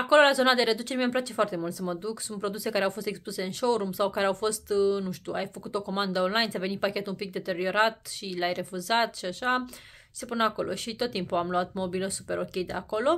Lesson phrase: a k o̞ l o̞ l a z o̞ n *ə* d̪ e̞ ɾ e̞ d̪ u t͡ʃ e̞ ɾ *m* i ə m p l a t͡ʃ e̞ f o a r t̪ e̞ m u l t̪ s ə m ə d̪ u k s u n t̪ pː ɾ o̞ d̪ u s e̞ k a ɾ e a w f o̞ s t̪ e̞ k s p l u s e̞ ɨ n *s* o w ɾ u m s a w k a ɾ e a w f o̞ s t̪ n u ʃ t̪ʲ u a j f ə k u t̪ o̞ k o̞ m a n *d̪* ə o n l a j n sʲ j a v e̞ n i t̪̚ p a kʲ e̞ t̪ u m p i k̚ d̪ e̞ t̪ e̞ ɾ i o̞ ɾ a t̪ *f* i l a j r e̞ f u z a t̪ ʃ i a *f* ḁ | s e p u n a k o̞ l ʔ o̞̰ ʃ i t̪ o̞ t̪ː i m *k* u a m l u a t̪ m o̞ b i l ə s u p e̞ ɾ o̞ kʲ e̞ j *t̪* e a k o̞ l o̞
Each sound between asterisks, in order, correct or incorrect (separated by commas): incorrect, correct, incorrect, correct, incorrect, incorrect, incorrect, incorrect